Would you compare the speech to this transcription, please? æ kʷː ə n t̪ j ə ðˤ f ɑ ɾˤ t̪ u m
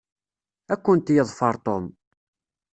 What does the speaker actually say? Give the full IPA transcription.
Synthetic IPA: æ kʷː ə n t̪ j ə ðˤ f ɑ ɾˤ t̪ o m